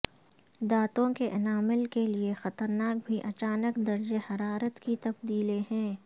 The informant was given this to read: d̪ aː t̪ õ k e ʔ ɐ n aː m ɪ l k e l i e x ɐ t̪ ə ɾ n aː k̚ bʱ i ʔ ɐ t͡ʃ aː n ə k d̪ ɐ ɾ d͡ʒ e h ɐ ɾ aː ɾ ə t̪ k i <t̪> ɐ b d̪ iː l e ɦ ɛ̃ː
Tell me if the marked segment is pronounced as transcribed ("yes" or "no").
yes